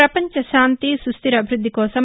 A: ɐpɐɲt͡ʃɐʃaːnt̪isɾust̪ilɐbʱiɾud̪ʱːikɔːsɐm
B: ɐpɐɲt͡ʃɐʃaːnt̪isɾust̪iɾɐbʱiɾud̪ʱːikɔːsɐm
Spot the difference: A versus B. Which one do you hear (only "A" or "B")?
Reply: B